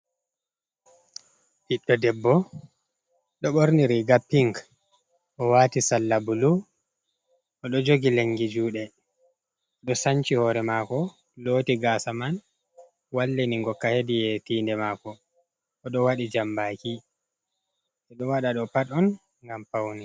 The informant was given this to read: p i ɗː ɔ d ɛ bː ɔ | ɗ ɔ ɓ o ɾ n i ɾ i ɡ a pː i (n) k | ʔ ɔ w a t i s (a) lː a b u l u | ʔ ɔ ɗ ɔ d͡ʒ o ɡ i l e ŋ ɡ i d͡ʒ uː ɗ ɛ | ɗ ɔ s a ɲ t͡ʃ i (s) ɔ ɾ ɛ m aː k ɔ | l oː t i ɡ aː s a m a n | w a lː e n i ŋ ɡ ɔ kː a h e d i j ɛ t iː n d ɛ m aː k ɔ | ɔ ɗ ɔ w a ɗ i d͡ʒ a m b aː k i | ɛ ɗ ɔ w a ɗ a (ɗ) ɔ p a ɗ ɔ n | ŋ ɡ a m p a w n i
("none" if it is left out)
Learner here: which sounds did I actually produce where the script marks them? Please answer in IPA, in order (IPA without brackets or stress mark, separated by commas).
ŋ, a, h, ɗ